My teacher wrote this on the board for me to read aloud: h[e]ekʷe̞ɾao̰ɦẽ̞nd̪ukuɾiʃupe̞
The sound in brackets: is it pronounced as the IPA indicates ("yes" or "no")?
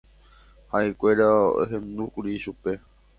no